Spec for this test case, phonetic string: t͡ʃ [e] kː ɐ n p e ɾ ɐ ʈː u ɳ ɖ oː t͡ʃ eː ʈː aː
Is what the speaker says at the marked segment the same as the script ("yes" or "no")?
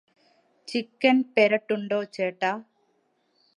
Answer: no